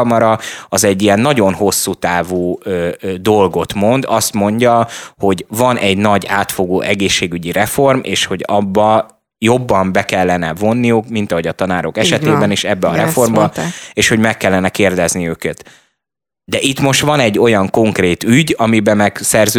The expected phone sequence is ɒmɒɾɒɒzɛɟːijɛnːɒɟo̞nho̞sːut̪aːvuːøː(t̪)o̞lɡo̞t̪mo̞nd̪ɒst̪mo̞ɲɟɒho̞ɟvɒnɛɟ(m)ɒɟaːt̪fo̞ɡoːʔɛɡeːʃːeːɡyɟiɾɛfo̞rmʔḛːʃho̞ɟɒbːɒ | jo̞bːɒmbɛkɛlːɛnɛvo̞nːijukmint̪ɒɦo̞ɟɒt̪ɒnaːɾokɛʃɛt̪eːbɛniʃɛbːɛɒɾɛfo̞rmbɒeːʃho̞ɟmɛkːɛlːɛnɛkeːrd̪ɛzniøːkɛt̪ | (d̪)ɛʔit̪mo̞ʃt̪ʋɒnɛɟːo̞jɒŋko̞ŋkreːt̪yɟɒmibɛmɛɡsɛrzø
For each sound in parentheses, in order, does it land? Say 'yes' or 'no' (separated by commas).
no, no, yes